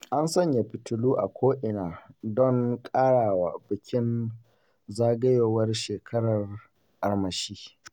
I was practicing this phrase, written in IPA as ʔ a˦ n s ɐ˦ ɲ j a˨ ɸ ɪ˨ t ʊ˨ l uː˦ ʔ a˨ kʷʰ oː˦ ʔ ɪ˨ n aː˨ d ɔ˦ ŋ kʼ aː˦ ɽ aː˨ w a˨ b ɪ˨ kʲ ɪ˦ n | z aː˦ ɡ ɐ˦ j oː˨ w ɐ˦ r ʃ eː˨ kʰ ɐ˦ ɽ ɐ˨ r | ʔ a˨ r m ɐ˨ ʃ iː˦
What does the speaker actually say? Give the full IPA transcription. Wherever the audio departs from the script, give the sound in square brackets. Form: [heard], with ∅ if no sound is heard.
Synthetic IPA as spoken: ʔ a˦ n s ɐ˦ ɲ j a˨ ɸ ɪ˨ t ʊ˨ l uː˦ ʔ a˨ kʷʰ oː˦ ʔ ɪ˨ n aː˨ d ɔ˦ ŋ kʼ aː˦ ɽ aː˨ w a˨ b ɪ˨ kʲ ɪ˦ n | z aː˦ ɡ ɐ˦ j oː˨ w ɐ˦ r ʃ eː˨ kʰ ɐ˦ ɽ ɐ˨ r | ʔ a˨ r m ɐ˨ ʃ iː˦